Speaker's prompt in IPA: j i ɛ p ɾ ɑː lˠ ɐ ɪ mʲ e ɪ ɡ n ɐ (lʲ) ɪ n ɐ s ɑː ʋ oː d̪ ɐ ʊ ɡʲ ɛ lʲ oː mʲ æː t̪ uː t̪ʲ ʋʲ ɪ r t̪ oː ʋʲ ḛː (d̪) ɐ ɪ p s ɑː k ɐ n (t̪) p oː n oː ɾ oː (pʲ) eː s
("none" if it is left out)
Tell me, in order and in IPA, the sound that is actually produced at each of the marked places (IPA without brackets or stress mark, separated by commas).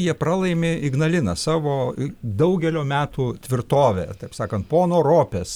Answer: lʲ, t̪, t̪, pʲ